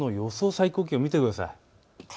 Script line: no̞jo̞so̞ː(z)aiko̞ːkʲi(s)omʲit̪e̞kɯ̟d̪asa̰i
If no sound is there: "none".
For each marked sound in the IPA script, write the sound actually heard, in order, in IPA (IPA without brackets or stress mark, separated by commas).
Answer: s, none